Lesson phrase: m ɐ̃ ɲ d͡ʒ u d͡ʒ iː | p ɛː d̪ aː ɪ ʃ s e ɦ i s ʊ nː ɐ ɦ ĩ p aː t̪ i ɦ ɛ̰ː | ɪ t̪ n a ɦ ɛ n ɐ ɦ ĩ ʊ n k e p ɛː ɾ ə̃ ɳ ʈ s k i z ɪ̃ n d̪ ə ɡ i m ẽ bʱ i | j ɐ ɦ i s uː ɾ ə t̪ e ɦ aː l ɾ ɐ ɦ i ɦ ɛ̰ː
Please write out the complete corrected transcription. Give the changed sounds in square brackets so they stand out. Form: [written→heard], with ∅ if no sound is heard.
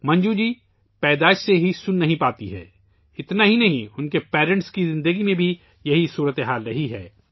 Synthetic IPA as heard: m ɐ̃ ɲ d͡ʒ u d͡ʒ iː | p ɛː d̪ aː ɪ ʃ s e ɦ i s ʊ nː ɐ ɦ ĩ p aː t̪ i ɦ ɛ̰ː | ɪ t̪ n a ɦ [ɛ→i] n ɐ ɦ ĩ ʊ n k e p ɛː ɾ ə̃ ɳ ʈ s k i z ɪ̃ n d̪ ə ɡ i m ẽ bʱ i | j ɐ ɦ i s uː ɾ ə t̪ e ɦ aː l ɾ ɐ ɦ i ɦ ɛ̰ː